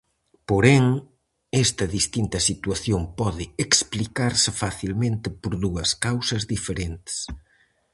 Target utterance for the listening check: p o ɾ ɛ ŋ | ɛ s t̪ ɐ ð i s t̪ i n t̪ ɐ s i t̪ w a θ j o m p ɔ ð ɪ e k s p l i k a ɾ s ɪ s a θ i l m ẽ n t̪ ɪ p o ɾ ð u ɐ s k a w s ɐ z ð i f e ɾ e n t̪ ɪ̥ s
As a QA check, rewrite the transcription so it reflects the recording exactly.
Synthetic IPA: p o ɾ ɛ ŋ | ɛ s t̪ ɐ ð i s t̪ i n t̪ ɐ s i t̪ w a θ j o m p ɔ ð ɪ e k s p l i k a ɾ s ɪ f a θ i l m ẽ n t̪ ɪ p o ɾ ð u ɐ s k a w s ɐ z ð i f e ɾ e n t̪ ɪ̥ s